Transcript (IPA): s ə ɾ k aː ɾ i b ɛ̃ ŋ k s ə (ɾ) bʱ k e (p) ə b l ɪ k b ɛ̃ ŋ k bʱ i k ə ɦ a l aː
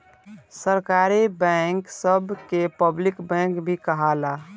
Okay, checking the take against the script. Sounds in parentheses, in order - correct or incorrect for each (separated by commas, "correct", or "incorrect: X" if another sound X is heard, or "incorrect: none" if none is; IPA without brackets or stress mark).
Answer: incorrect: none, correct